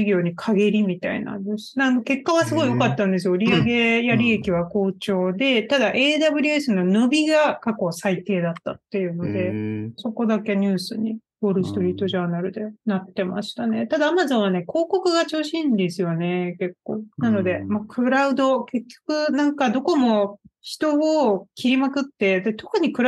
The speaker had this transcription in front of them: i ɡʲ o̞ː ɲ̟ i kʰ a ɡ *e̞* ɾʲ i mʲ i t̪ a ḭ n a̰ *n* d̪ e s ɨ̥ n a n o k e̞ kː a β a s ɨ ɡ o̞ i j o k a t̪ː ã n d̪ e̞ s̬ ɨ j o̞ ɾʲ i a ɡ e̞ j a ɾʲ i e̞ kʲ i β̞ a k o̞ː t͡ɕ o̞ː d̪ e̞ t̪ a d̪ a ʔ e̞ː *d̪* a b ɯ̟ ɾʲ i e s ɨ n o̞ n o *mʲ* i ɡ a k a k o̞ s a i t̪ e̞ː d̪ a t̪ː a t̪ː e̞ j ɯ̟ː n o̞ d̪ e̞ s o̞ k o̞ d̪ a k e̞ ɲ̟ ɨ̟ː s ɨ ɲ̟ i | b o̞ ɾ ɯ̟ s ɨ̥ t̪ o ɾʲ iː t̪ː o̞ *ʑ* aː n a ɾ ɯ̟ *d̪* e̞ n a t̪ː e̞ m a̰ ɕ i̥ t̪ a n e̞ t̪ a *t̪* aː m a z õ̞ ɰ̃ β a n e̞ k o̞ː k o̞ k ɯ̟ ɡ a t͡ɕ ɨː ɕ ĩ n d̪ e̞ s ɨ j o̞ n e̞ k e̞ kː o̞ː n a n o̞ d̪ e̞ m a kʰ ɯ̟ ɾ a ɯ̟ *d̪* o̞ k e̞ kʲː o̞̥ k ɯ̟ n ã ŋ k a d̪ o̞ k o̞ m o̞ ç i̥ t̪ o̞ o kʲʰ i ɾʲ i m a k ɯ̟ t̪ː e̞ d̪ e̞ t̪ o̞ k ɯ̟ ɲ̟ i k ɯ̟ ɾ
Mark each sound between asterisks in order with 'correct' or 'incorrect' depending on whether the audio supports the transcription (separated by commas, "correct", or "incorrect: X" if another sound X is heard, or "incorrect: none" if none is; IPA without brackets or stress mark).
correct, correct, correct, incorrect: bʲ, correct, correct, incorrect: d̪, correct